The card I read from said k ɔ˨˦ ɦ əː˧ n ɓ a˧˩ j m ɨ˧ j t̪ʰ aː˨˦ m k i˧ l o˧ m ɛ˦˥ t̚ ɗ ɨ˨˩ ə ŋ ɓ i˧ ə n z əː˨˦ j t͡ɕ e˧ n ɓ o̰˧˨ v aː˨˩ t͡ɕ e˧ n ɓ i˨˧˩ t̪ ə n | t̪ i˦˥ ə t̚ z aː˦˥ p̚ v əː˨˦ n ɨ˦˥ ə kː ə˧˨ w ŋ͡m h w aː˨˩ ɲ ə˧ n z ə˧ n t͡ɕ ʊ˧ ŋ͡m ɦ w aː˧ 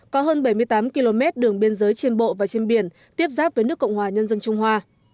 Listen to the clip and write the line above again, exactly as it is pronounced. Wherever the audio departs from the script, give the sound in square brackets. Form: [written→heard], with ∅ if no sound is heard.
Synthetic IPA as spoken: k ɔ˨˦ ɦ əː˧ n ɓ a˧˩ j m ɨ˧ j [t̪ʰ→t̪] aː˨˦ m k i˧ l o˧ m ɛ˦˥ t̚ ɗ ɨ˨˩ ə ŋ ɓ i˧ ə n z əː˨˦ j t͡ɕ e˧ n ɓ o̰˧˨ v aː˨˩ t͡ɕ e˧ n ɓ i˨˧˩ [t̪→∅] ə n | t̪ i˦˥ ə [t̚→p̚] z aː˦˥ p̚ v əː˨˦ n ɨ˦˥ ə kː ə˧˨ w ŋ͡m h w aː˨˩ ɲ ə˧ n z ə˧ n t͡ɕ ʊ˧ ŋ͡m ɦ w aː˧